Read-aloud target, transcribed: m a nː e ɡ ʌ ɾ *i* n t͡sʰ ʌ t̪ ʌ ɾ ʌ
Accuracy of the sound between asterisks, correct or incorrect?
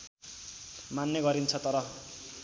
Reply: correct